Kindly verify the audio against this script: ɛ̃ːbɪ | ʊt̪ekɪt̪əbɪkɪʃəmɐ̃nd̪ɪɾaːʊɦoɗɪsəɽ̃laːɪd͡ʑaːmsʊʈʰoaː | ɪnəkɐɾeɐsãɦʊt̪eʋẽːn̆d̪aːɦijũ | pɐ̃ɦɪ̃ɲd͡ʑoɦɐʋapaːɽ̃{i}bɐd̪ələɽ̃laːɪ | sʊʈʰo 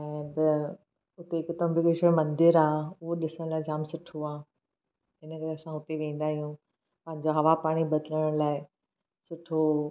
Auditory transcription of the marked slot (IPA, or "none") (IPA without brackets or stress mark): i